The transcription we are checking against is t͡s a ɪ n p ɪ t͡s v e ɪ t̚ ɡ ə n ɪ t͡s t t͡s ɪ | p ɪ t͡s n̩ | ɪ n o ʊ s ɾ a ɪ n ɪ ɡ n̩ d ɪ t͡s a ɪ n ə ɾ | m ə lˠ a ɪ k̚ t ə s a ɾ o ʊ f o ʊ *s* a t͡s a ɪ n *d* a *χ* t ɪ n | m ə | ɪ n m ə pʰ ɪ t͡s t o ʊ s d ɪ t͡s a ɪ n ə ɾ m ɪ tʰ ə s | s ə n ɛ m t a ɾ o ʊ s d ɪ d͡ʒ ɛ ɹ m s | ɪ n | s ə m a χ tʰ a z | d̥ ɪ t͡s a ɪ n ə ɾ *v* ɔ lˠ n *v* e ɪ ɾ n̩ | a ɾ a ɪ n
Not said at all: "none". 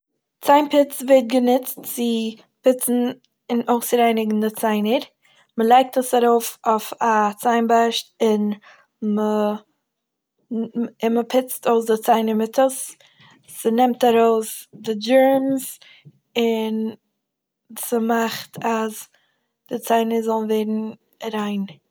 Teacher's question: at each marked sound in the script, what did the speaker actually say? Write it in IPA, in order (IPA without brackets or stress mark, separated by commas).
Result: f, b, ʃ, z, v